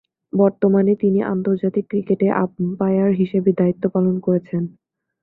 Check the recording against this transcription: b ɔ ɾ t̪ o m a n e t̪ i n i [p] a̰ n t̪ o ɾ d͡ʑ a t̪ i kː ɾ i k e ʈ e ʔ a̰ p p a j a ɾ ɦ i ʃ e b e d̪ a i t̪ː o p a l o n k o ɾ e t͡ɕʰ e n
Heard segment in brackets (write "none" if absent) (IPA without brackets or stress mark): ʔ